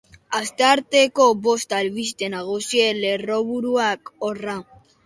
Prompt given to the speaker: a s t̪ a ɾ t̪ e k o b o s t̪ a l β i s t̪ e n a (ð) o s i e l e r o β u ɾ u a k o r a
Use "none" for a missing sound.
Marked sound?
ɣ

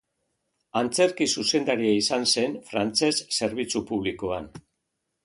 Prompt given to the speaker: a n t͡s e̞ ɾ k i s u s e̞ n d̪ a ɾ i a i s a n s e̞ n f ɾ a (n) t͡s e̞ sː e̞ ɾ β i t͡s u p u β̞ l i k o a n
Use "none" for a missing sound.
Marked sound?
n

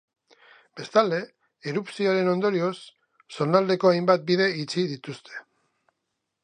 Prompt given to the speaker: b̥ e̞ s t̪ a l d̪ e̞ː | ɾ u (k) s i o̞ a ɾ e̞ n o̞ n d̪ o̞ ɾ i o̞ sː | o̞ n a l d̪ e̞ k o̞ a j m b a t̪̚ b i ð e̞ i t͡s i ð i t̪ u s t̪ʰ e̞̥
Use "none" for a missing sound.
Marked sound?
p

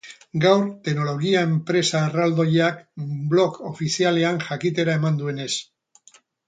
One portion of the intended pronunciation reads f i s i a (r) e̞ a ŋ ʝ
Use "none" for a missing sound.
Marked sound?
l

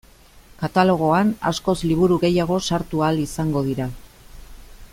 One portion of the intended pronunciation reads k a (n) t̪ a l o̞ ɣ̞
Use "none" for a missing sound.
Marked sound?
none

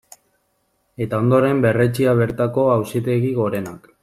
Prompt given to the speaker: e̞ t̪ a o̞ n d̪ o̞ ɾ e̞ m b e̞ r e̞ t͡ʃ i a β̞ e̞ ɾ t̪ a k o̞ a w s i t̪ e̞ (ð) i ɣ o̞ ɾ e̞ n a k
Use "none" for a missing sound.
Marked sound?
ɣ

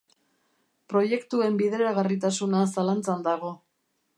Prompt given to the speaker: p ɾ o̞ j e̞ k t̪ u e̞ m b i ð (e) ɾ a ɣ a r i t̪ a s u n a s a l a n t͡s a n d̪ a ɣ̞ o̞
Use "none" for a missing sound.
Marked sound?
e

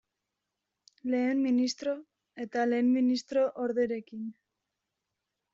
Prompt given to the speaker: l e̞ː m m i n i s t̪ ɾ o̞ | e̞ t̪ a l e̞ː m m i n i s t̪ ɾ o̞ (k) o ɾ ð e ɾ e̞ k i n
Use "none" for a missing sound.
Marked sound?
ʔ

